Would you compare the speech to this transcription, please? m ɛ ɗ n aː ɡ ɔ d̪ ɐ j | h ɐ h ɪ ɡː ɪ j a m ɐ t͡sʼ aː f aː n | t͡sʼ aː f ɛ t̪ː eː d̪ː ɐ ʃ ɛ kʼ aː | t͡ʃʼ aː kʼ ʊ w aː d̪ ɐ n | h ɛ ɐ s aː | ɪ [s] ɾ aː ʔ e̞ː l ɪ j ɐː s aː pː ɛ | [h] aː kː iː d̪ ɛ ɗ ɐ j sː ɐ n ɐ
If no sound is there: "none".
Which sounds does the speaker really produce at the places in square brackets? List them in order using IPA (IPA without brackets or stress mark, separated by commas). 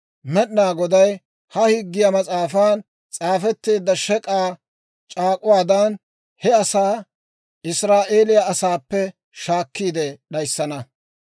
s, ʃ